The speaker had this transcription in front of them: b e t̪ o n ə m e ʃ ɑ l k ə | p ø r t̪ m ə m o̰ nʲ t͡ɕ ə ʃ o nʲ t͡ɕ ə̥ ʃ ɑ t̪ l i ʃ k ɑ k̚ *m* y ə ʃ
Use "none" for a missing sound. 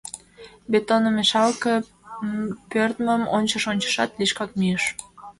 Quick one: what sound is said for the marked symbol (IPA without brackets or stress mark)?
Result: m